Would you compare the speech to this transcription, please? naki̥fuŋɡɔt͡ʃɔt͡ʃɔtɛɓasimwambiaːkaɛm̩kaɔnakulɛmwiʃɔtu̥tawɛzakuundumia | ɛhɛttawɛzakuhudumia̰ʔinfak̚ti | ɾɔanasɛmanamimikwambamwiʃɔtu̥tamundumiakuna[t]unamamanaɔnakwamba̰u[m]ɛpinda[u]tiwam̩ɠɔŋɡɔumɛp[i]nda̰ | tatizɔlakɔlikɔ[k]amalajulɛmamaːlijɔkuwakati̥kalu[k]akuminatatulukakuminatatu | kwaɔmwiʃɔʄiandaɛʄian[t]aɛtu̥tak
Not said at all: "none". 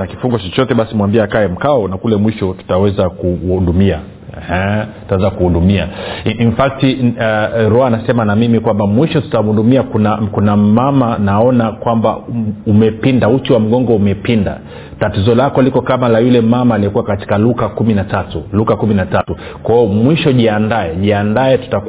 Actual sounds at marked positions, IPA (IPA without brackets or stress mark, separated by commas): k, m, u, i, k, k, d